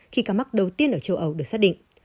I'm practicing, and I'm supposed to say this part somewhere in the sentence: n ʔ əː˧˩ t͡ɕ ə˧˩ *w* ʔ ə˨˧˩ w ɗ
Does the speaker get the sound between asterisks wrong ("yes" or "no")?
no